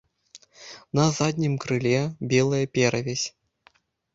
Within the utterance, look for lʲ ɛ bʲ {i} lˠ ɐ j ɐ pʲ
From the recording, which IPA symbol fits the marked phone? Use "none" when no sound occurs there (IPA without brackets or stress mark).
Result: ɛ